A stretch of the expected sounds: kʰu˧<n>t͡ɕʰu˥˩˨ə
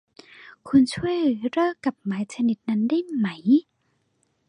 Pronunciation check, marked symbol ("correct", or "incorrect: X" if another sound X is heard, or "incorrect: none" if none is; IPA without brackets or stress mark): correct